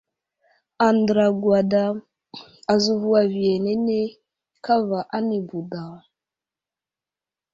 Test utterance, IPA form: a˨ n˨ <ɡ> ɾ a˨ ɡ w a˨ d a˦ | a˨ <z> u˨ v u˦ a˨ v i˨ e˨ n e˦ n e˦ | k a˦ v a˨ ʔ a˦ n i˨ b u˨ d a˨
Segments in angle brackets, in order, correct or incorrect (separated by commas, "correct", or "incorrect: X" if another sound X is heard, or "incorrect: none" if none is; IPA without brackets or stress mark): incorrect: d, correct